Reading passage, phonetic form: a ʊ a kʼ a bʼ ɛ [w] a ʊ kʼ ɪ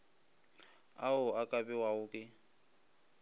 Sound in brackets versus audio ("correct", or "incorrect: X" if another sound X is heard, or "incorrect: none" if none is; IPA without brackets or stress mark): correct